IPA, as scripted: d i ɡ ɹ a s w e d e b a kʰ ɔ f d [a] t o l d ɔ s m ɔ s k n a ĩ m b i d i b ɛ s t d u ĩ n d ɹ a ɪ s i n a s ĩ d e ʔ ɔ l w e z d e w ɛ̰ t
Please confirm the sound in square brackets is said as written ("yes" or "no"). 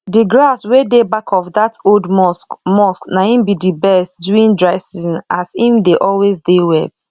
yes